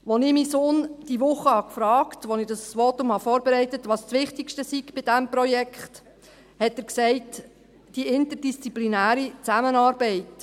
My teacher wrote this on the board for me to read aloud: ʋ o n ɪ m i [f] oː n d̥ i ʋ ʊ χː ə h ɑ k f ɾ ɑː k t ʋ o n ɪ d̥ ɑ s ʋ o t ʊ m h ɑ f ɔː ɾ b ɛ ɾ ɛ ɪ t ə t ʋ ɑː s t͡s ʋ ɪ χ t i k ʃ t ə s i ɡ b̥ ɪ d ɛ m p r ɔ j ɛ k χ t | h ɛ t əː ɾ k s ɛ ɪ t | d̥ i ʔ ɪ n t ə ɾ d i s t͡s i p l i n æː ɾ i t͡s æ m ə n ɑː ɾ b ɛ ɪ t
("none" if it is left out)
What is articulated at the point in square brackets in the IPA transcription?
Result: s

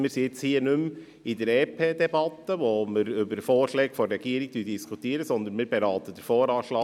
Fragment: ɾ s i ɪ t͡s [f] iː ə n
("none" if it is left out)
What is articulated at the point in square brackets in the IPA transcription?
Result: h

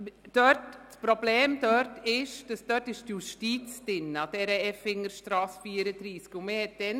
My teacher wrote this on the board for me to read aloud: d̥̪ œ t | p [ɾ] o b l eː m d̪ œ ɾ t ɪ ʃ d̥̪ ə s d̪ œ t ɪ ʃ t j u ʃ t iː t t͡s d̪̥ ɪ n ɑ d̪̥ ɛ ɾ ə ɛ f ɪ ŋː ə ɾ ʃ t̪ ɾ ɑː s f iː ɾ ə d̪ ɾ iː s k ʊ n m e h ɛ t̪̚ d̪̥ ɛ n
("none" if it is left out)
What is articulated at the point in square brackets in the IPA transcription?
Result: ɾ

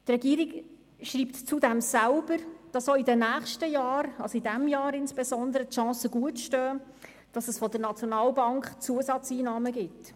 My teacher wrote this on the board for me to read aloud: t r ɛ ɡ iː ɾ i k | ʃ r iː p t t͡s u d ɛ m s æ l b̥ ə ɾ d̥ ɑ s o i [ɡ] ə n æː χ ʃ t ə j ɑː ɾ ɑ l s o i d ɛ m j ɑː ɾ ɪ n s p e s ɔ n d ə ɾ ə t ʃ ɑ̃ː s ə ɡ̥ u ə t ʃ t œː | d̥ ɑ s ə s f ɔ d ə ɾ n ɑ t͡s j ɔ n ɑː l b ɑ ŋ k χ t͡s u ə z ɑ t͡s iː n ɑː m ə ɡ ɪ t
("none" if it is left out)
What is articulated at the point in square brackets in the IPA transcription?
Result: d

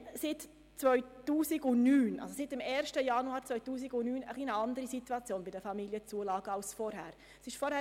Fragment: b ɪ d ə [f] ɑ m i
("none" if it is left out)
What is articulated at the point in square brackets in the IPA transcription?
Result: f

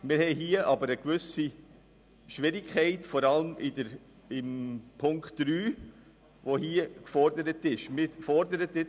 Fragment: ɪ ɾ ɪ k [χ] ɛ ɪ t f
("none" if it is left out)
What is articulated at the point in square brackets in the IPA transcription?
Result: χ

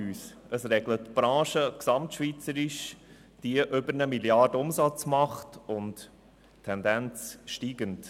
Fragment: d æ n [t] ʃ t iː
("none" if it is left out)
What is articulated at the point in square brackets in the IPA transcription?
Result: t͡s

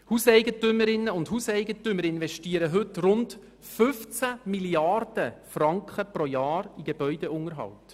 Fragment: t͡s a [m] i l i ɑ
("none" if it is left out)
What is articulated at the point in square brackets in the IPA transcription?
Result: m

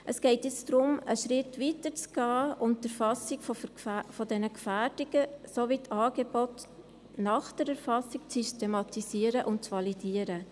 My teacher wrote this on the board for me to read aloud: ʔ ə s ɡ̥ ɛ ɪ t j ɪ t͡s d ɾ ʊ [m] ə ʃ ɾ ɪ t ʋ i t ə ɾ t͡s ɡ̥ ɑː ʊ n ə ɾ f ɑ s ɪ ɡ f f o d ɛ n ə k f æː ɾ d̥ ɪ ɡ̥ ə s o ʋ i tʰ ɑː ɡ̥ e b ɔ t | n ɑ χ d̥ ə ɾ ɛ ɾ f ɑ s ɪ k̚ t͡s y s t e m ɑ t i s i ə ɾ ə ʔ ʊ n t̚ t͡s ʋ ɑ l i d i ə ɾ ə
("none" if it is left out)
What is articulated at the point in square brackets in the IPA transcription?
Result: m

